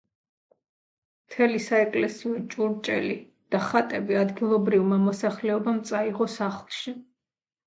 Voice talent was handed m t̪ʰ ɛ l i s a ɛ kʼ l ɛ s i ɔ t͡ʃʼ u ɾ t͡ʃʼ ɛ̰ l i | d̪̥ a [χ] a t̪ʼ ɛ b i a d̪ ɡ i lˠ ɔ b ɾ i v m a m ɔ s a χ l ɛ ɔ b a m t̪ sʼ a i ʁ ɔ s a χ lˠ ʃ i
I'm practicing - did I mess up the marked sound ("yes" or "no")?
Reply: no